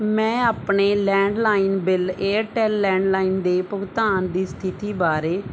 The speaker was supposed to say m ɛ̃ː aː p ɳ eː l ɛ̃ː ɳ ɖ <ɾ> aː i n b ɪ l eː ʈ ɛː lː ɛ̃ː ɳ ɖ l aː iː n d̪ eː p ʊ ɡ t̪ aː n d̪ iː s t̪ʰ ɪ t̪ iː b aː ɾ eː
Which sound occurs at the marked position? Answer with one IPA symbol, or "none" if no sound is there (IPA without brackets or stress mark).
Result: l